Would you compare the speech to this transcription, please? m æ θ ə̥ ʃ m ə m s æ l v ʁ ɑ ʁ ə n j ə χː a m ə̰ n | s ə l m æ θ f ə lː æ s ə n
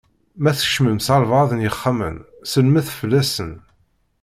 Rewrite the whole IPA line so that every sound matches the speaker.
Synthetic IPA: m æ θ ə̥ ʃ m ə m s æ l v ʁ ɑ ð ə n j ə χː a m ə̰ n | s ə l m æ θ f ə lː æ s ə n

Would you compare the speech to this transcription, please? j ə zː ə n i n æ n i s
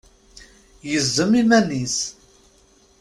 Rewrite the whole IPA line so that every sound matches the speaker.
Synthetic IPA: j ə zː ə m i m æ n i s

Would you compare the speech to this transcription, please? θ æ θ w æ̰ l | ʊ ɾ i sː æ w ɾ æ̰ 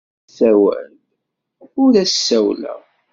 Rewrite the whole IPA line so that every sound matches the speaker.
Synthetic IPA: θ æ w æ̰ l | ʊ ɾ æ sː æ w l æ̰

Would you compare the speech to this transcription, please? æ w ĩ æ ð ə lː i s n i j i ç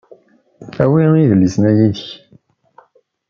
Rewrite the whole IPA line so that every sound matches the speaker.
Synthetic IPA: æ w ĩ i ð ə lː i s n æ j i ç

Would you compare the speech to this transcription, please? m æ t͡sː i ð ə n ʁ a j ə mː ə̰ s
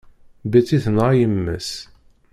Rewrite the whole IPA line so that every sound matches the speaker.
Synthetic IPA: b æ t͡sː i θ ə n ʁ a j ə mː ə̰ s

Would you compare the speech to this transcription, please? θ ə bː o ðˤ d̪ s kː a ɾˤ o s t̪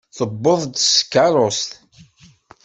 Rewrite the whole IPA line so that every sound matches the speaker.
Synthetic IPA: θ ə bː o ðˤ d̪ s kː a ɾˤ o s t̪

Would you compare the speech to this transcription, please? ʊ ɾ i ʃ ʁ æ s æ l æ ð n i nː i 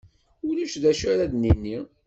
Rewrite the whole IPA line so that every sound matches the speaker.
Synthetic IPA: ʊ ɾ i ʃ ð æ ʃ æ ɾ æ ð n i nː i

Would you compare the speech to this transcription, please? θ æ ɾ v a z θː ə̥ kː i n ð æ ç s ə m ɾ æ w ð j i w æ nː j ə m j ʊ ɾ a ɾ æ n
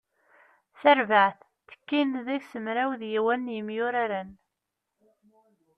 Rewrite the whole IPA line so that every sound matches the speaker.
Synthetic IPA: θ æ ɾ v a ʕ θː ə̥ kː i n ð æ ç s ə m ɾ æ w ð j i w æ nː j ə m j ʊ ɾ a ɾ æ n

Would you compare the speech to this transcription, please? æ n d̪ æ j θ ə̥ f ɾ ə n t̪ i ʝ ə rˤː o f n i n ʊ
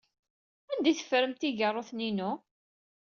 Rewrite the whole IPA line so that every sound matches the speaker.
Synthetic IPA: æ n d̪ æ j θ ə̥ f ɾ ə m t̪ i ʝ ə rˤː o θ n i n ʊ

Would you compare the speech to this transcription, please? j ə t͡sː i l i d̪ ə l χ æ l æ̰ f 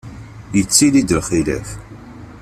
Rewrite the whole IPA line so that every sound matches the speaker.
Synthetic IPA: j ə t͡sː i l i d̪ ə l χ i l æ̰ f

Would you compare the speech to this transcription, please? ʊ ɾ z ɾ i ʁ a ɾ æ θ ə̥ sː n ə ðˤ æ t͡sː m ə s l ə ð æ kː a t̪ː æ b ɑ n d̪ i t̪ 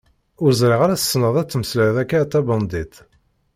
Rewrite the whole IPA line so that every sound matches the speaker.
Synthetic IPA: ʊ ɾ z ɾ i ʁ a ɾ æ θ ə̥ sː n ə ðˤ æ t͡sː m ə s l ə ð æ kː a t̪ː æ b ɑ n d̪ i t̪

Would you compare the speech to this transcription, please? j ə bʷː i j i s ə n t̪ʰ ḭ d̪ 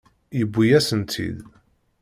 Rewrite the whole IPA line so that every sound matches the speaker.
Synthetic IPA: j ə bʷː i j æ s ə n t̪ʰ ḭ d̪

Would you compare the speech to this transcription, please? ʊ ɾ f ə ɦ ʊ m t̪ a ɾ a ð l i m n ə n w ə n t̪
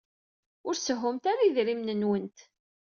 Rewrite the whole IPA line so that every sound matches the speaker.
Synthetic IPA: ʊ ɾ s ə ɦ ʊ m t̪ a ɾ a ð ɾ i m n ə n w ə n t̪

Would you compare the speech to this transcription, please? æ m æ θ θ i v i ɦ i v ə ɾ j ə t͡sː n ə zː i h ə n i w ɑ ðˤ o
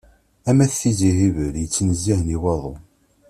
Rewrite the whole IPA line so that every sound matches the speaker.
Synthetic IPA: æ m æ θ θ i z i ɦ i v ə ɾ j ə t͡sː n ə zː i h ə n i w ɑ ðˤ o

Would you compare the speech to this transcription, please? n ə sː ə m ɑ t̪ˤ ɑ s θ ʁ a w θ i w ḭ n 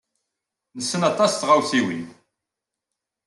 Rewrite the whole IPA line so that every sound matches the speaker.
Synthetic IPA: n ə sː ə n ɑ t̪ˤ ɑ s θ ʁ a w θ i w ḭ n

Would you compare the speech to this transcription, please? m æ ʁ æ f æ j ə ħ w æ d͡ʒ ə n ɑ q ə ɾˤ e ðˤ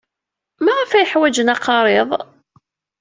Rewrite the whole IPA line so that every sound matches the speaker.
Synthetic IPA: m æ ʁ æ f æ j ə ħ w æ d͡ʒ ə n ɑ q ɑ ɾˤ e ðˤ

